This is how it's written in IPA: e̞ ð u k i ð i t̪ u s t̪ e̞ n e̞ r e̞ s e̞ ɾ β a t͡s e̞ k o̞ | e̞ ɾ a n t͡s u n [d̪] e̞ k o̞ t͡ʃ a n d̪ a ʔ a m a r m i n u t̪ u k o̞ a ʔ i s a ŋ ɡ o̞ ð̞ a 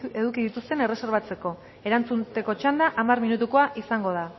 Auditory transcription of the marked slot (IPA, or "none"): t̪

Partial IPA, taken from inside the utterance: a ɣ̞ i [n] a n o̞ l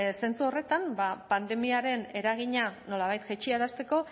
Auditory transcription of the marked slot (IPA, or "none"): ɲ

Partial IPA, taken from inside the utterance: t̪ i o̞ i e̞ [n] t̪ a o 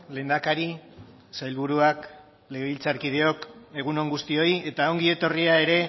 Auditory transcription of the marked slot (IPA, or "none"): none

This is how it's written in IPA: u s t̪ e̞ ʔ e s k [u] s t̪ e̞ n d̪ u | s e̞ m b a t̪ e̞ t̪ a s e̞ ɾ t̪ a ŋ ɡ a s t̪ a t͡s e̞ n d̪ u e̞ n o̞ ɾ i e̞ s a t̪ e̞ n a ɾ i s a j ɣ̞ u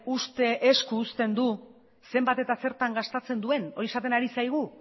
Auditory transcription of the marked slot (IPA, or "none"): uː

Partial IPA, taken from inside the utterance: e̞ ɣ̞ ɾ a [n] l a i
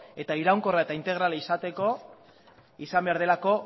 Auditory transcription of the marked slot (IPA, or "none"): none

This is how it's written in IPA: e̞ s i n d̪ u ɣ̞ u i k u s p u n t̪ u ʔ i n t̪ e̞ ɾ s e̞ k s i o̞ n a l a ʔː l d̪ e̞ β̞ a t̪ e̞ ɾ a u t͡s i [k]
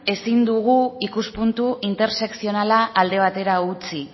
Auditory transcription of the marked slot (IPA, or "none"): none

